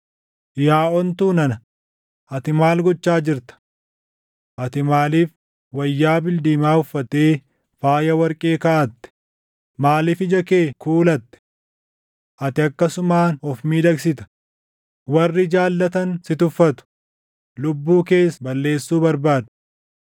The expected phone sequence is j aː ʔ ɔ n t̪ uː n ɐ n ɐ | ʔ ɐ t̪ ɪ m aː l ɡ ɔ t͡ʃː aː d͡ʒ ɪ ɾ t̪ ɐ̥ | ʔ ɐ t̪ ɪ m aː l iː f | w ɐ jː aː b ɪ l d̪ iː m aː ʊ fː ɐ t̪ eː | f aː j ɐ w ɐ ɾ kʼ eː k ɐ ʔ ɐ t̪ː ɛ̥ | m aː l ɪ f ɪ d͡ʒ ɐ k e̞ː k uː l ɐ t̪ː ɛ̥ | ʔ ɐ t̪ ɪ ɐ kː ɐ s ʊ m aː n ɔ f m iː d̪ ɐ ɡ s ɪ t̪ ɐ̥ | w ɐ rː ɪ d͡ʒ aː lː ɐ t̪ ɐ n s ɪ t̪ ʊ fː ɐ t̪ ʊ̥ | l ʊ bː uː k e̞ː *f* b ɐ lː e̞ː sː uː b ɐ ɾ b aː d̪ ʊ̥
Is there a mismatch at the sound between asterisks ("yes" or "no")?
yes